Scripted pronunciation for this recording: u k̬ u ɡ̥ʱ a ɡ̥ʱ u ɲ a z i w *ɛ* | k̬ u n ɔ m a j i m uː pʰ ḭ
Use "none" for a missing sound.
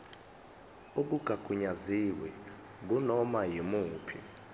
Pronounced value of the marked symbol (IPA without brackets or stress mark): ɛ